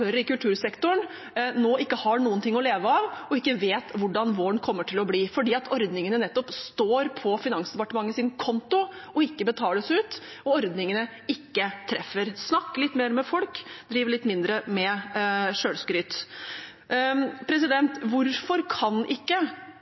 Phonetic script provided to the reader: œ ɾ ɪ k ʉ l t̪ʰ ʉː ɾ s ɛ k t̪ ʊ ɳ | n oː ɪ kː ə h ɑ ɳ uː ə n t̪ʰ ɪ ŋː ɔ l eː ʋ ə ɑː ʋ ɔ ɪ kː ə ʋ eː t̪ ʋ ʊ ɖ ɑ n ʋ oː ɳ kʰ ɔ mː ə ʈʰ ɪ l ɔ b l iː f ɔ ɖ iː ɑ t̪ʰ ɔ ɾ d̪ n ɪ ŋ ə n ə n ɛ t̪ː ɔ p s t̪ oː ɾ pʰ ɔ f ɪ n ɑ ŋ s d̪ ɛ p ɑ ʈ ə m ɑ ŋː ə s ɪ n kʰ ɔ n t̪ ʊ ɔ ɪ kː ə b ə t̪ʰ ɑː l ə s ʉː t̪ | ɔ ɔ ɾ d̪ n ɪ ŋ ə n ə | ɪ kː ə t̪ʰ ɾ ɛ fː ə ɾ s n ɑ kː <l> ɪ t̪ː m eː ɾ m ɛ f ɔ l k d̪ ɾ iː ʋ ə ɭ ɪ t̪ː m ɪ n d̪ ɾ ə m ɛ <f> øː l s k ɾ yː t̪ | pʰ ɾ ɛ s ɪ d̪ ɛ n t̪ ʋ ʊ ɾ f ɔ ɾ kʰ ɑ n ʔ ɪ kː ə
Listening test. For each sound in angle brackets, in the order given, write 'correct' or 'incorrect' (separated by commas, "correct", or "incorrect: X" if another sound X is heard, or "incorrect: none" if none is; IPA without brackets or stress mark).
correct, incorrect: ʂ